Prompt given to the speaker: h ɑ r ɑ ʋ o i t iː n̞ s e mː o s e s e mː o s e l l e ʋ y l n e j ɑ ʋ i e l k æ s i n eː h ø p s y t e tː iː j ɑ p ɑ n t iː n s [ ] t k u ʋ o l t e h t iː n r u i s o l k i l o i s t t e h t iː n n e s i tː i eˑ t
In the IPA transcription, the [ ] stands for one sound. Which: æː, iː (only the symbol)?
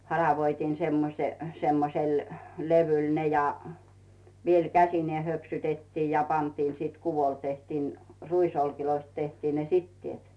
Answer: iː